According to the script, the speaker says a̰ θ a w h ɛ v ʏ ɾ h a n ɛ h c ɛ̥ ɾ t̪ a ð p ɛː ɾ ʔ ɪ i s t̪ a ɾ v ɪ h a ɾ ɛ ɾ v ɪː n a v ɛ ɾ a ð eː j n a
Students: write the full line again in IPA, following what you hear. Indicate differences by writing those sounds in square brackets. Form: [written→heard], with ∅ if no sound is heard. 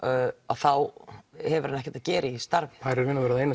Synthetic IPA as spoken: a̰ θ a w h ɛ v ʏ ɾ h a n ɛ h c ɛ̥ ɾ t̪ a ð [p→c] ɛː ɾ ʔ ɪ i s t̪ a ɾ v ɪ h a ɾ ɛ ɾ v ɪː n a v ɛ ɾ a ð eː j n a